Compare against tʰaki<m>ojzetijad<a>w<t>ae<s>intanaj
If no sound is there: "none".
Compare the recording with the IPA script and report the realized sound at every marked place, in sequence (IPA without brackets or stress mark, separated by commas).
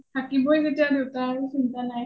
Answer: b, e, t, s